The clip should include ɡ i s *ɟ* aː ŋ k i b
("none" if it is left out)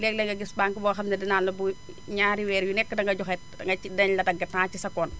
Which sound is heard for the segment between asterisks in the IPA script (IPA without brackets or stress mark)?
b